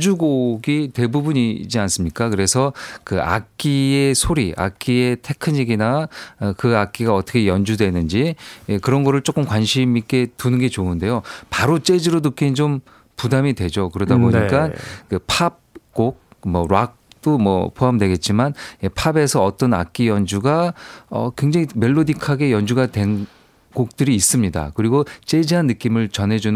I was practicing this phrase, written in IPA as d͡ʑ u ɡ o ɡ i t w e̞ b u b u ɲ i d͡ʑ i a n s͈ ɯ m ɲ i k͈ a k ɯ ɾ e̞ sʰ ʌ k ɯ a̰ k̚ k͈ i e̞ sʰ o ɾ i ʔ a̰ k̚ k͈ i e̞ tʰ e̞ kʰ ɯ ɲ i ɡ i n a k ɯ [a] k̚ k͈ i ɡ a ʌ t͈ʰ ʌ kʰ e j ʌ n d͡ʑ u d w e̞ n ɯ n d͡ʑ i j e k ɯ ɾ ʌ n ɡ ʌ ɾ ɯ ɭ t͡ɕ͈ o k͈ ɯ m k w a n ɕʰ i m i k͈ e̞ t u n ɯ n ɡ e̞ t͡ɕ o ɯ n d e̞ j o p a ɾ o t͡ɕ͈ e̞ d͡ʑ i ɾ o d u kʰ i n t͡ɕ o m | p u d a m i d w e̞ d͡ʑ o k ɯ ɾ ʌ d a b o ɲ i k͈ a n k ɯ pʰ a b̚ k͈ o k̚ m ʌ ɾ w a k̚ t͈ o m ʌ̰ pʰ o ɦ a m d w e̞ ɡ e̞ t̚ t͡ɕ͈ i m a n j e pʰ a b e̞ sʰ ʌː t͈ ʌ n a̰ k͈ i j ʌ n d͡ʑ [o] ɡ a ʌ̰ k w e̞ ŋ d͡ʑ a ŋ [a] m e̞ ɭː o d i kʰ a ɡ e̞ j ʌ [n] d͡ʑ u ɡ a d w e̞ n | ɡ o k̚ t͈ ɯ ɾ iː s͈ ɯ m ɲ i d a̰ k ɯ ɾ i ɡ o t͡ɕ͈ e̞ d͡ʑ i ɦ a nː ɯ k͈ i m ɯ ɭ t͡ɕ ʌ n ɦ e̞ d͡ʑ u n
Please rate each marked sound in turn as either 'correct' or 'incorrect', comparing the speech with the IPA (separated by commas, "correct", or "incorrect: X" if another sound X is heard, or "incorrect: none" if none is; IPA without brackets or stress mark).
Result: correct, incorrect: u, incorrect: i, correct